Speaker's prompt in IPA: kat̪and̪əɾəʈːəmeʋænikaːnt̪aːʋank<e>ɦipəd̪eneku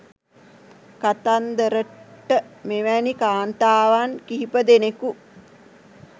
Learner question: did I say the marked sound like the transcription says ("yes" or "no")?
no